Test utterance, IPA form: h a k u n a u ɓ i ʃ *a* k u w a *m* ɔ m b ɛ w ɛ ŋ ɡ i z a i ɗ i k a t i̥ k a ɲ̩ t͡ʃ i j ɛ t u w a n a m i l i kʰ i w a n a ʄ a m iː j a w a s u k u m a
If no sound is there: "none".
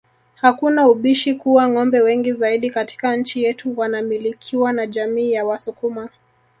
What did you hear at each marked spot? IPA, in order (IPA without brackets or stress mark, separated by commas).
i, ŋ